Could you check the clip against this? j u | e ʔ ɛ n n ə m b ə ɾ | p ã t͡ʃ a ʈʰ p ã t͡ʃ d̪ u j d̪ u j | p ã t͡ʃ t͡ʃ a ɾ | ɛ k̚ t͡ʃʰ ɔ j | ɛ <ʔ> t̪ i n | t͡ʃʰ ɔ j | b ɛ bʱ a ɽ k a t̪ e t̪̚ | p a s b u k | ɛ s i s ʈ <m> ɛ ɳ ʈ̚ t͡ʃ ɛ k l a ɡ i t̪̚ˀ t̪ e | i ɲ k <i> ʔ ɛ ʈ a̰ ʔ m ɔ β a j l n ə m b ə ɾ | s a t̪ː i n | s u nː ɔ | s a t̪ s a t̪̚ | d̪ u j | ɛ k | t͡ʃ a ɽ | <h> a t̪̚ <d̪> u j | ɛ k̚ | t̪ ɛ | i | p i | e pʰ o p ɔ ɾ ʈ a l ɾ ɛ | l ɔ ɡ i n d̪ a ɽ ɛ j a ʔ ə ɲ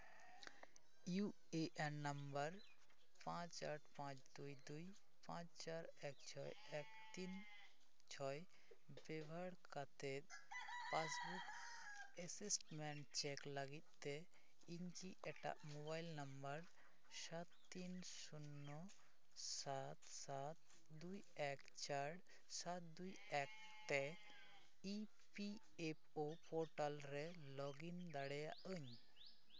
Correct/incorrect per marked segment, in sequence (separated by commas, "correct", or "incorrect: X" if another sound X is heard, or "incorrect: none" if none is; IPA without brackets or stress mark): incorrect: k, correct, correct, incorrect: s, correct